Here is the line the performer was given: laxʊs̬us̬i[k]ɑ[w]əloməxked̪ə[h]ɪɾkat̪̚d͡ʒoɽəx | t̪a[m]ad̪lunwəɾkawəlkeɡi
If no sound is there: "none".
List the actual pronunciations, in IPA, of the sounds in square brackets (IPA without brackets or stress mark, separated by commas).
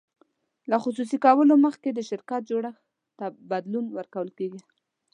k, w, ʃ, b